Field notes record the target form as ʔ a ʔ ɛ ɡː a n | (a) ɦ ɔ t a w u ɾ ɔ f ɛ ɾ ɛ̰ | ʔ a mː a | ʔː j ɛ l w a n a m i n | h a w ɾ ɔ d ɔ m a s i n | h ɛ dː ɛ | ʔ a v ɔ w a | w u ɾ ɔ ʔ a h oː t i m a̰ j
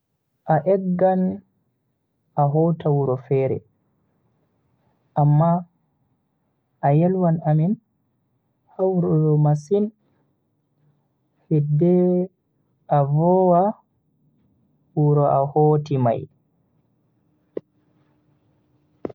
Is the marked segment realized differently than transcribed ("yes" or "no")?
no